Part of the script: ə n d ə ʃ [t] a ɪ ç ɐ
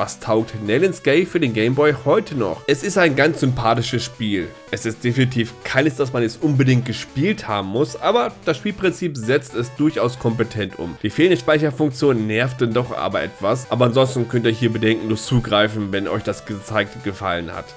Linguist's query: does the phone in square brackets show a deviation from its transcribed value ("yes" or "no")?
yes